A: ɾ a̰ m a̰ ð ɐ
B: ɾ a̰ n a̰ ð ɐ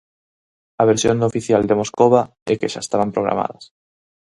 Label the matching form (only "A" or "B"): A